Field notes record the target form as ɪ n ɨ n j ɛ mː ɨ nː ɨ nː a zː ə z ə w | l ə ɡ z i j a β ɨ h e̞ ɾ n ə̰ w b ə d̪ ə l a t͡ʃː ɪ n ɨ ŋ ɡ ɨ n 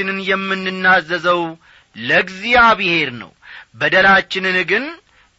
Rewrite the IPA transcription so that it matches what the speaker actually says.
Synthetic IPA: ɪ n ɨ n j ɛ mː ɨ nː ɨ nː a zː ə z ə w | l ə ɡ z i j a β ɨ h e̞ ɾ n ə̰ w b ə d̪ ə l a t͡ʃː ɪ n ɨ n ɡ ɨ n